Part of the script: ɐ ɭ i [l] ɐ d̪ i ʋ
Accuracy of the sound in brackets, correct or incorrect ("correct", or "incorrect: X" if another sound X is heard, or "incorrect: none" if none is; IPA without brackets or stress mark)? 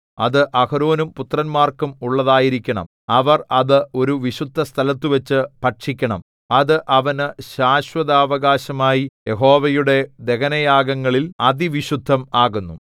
correct